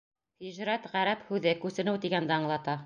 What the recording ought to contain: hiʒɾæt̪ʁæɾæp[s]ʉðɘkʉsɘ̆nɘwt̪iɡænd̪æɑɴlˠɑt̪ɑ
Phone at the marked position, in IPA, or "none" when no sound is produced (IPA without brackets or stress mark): h